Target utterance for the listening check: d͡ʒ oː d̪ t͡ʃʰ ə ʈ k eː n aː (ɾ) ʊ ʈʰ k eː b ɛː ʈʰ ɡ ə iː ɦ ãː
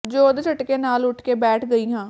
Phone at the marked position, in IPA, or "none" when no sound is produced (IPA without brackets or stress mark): l